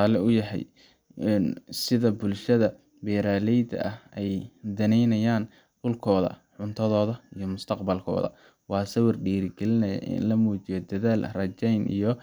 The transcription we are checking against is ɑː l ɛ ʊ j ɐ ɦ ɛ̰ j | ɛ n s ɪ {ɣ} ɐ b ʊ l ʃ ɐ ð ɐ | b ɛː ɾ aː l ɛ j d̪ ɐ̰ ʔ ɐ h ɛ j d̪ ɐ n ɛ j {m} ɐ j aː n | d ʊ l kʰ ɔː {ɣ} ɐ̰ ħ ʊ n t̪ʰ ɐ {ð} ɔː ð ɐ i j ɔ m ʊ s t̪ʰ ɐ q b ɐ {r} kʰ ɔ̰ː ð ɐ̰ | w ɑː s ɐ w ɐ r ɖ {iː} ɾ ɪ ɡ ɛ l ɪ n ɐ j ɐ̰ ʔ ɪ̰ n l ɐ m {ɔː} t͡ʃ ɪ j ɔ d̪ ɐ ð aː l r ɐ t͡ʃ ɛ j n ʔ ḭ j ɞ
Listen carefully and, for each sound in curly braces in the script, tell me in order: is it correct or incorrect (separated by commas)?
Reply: incorrect, incorrect, incorrect, correct, incorrect, correct, incorrect